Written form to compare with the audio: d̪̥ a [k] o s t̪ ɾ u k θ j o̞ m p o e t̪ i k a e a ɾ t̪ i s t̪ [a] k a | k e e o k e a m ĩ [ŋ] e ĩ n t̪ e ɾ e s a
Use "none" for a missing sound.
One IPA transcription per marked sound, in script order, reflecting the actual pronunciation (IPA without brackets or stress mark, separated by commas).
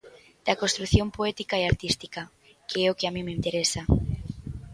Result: k, i, m